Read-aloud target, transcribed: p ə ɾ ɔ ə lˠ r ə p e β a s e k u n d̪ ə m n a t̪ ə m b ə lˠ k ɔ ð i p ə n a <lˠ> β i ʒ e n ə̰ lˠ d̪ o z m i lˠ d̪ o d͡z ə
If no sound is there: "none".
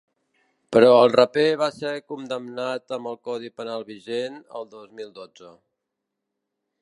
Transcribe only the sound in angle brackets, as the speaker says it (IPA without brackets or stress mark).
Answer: lˠ